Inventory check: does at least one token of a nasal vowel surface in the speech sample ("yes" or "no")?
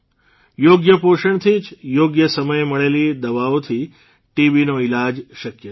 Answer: no